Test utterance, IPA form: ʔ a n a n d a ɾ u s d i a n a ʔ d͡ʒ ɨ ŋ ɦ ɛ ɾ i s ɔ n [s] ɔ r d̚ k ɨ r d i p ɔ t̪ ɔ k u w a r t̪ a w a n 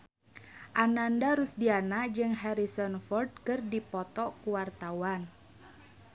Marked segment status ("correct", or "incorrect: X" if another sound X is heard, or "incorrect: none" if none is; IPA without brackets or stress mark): incorrect: f